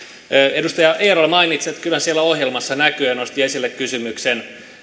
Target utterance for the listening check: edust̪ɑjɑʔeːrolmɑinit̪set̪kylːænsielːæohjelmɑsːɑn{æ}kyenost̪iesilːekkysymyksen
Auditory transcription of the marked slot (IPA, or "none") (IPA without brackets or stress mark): æ